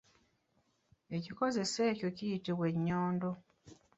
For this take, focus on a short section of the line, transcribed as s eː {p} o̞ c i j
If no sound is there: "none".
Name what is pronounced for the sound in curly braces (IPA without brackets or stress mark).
c